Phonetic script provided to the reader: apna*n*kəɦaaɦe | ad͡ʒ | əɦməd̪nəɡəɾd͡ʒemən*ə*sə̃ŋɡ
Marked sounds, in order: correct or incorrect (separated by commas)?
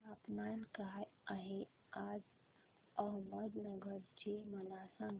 correct, incorrect